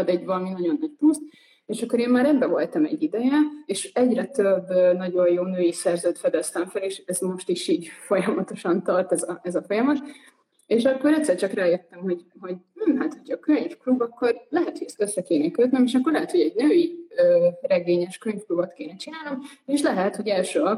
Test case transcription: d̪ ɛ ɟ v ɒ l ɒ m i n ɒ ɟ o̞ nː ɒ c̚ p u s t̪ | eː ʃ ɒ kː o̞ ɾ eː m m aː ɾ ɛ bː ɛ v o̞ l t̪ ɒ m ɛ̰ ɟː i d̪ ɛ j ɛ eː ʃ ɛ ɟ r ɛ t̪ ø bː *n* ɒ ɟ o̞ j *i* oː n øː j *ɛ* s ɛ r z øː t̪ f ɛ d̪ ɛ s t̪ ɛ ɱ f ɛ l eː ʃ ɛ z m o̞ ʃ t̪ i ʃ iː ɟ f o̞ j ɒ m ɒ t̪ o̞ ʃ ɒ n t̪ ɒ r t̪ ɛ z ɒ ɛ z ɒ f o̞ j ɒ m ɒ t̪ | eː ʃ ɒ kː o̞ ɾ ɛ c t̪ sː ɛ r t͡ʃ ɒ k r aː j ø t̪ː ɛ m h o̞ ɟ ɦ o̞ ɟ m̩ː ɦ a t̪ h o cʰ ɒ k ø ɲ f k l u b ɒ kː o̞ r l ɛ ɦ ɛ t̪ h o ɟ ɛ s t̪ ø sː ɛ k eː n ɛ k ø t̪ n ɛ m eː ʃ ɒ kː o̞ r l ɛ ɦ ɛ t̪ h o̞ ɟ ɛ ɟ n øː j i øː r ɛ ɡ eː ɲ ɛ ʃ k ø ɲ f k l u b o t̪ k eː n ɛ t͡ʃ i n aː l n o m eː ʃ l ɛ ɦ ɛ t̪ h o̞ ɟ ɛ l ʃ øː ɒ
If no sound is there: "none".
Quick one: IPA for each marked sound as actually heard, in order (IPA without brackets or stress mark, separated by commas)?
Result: n, j, i